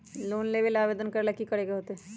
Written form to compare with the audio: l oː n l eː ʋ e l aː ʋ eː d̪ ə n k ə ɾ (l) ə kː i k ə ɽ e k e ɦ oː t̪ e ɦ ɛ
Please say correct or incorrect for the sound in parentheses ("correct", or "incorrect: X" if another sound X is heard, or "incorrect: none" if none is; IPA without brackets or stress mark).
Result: correct